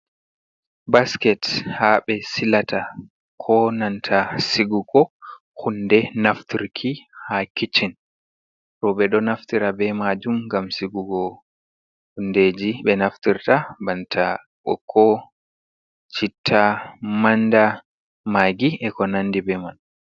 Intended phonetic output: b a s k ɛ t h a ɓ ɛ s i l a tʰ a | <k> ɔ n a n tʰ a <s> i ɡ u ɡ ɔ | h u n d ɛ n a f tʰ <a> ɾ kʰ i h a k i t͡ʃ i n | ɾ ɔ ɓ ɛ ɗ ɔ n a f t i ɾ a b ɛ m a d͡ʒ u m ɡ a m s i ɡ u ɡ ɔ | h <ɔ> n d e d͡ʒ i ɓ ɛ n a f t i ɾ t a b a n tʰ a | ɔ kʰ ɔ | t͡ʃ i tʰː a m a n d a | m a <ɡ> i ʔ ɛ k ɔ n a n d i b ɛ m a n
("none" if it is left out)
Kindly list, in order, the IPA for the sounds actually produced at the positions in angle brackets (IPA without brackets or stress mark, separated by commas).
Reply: kʰ, s, i, u, ɡ